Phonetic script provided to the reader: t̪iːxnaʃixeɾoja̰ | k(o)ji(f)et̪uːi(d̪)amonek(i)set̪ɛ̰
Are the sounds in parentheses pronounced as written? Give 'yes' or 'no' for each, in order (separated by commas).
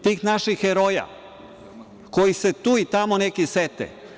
yes, no, no, yes